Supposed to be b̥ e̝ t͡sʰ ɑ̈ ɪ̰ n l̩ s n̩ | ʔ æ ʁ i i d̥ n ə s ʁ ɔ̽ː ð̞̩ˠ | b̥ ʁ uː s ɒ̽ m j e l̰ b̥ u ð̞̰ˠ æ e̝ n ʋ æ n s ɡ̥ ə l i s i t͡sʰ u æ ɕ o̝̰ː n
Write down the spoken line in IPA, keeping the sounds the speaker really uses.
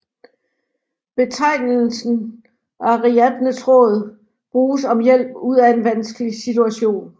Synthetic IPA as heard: b̥ e̝ t͡sʰ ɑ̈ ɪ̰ n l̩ s n̩ | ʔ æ ʁ i æ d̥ n ə s ʁ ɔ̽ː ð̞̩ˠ | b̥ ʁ uː s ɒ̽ m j e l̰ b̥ u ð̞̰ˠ æ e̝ n ʋ æ n s ɡ̥ ə l i s i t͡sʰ u æ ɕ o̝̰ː n